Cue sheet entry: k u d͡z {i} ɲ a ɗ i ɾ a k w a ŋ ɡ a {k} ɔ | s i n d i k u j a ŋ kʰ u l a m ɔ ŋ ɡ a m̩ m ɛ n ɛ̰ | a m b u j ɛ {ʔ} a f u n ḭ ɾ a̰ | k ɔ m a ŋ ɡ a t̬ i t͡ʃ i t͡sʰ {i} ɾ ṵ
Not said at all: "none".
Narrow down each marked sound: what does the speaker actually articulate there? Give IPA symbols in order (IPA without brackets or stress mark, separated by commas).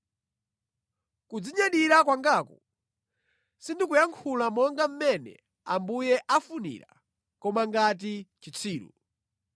i, k, ʔ, iː